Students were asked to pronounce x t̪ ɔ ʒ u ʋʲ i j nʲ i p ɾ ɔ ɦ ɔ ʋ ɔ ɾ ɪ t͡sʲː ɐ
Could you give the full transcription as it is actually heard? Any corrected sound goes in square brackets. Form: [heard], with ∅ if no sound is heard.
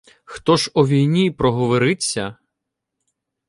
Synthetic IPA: x t̪ ɔ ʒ [ɔ] ʋʲ i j nʲ i p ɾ ɔ ɦ ɔ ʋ ɔ ɾ ɪ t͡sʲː ɐ